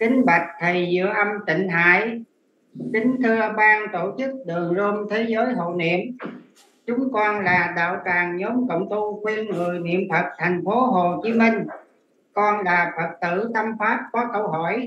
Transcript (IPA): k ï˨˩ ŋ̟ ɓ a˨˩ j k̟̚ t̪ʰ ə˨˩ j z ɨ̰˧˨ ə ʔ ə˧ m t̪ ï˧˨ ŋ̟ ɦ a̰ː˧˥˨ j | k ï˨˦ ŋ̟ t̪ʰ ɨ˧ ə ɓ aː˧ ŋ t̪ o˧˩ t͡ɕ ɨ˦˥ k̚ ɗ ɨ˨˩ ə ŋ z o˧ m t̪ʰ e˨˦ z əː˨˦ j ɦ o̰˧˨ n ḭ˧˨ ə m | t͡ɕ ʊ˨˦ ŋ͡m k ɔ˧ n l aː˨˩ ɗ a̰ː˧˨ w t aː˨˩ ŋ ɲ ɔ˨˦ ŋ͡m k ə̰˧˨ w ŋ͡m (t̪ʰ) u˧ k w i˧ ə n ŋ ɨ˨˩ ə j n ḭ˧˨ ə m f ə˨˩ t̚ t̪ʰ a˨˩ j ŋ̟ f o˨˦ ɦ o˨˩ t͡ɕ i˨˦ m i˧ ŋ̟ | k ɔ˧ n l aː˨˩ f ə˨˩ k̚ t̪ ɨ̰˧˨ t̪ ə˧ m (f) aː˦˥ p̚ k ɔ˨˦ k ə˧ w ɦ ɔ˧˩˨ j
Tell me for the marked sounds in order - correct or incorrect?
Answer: incorrect, correct

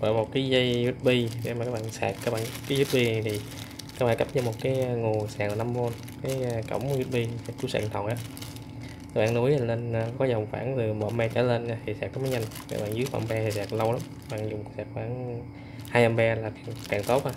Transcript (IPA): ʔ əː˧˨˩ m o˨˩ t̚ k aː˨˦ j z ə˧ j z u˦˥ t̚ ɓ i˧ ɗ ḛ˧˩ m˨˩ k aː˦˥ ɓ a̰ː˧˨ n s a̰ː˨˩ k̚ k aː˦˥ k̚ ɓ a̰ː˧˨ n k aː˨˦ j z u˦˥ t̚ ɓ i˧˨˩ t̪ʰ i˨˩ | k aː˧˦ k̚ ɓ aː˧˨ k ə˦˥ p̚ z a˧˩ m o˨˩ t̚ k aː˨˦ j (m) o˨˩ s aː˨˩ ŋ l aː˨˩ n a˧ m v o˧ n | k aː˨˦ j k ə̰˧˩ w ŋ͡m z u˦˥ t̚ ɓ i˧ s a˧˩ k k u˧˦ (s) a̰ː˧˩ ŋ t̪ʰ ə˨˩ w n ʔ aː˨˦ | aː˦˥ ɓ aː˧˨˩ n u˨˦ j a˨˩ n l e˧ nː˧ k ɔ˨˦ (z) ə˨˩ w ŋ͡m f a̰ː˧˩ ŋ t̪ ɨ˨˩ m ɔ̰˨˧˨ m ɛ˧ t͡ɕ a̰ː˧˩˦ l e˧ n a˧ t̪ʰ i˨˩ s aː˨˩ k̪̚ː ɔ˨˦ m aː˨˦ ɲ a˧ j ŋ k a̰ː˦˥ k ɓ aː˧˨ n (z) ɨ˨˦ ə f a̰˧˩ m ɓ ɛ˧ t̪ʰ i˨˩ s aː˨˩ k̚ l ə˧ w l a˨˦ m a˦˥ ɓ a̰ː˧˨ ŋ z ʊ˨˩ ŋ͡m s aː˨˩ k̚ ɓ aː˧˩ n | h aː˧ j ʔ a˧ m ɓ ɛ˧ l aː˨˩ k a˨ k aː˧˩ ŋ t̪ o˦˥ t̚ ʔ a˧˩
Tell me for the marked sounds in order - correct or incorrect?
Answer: incorrect, correct, correct, correct

